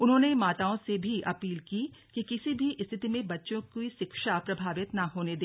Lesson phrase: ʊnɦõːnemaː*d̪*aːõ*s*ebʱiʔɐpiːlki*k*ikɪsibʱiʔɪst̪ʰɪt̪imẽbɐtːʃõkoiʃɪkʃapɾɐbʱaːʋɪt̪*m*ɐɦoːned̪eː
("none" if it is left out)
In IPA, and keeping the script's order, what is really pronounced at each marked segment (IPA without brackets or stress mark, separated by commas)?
t̪, s, k, n